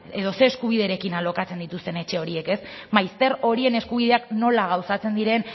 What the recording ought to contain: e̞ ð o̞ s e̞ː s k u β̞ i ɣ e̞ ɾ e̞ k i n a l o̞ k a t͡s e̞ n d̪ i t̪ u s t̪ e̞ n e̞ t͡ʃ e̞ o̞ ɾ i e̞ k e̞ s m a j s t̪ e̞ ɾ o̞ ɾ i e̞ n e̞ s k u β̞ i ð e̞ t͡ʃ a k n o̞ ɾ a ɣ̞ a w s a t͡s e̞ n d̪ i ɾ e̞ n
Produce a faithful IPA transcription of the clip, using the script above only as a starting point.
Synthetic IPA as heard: e̞ ð o̞ s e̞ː s k u β̞ i ð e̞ ɾ e̞ k i n a l o̞ k a t͡s e̞ n d̪ i t̪ u s t̪ e̞ n e̞ t͡ʃ e̞ o̞ ɾ i e̞ k e̞ s m a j s t̪ e̞ ɾ o̞ ɾ i e̞ n e̞ s k u β̞ i ð e̞ a k n o̞ l a ɣ̞ a w s a t͡s e̞ n d̪ i ɾ e̞ n